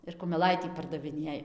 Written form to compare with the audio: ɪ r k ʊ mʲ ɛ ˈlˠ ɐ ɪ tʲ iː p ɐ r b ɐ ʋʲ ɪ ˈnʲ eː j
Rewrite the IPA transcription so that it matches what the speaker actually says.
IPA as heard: ɪ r k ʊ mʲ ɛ ˈlˠ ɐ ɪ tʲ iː p ɐ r d ɐ ʋʲ ɪ ˈnʲ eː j